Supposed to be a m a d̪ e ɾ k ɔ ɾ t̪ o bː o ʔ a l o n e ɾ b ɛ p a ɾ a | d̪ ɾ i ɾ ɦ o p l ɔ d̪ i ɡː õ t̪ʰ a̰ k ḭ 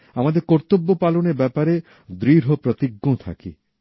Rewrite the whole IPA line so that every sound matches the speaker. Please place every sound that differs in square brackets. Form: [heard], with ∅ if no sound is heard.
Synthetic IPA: a m a d̪ e ɾ k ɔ ɾ t̪ o bː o [p] a l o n e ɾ b ɛ p a ɾ [e] | d̪ ɾ i ɾ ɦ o p [ɾ] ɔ [t̪] i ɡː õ t̪ʰ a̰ k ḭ